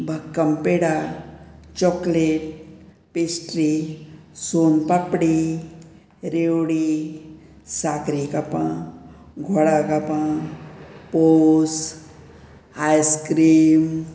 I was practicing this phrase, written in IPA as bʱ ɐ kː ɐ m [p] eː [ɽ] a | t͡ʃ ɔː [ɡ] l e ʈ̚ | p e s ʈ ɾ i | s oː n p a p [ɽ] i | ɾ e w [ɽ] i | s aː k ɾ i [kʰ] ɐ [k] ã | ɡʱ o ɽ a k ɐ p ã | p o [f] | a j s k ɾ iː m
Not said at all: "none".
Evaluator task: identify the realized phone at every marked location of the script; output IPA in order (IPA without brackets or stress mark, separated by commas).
p, ɽ, k, ɽ, ɽ, k, p, s